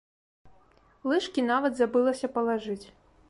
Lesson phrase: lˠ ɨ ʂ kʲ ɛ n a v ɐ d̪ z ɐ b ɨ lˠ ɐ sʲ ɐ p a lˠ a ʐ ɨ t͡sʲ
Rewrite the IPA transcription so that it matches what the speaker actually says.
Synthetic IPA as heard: lˠ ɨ ʂ kʲ i n a v ɐ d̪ z a b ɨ lˠ ɐ sʲ ɐ p ɐ lˠ a ʐ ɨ t͡sʲ